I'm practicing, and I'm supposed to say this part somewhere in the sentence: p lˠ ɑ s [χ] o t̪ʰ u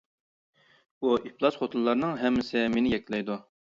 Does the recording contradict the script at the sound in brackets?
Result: no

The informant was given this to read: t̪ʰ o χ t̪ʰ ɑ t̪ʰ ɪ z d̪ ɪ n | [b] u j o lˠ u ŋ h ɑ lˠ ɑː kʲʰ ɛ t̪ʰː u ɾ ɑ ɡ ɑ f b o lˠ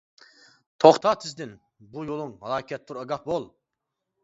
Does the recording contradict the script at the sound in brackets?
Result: no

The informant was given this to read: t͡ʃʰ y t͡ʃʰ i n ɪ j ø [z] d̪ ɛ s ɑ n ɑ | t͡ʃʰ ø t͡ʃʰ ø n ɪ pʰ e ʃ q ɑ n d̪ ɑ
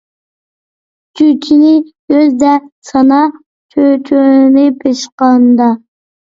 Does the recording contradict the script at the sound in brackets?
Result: no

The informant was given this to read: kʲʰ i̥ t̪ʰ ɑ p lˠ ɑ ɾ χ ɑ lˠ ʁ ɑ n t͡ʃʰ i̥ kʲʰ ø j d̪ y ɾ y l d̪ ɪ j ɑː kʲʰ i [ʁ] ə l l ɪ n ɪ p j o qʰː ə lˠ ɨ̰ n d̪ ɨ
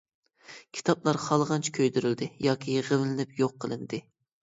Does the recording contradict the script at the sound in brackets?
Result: no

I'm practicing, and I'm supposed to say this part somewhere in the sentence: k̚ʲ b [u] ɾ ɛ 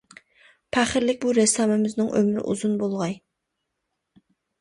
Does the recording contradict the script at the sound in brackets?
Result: no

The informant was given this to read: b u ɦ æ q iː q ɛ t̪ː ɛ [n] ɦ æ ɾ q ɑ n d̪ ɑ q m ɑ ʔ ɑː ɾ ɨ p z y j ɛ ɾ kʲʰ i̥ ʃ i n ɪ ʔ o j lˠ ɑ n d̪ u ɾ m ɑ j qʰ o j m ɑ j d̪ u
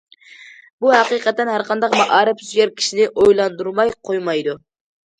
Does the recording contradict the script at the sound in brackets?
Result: no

